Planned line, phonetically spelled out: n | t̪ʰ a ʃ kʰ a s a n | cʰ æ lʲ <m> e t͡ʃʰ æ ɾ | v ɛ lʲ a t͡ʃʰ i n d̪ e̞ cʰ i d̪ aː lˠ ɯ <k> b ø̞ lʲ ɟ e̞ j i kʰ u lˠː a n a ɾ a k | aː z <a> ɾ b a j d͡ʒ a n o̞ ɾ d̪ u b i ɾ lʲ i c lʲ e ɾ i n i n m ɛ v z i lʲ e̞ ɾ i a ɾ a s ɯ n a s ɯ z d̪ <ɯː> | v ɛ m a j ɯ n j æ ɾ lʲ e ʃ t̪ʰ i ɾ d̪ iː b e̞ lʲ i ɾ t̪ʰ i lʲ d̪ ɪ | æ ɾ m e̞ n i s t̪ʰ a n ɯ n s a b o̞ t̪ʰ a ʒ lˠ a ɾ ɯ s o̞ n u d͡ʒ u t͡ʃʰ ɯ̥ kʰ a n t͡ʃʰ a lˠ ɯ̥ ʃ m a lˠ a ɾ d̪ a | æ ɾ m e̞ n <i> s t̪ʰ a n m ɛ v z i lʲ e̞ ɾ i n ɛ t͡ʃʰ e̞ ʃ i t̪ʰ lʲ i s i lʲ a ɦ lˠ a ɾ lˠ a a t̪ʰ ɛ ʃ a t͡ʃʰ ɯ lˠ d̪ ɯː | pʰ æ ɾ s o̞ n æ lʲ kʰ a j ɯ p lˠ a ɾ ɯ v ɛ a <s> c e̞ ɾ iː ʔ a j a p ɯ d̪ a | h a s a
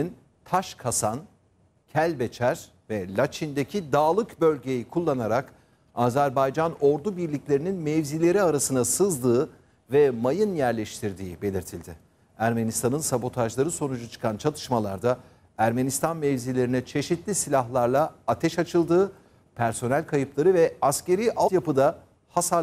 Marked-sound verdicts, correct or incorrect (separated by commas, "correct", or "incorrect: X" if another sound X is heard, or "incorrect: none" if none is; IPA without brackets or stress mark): incorrect: b, correct, incorrect: æ, correct, correct, correct